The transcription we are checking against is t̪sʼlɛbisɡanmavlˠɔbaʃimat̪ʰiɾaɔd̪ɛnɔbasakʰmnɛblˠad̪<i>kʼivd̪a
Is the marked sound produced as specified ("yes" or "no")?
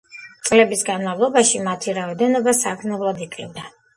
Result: yes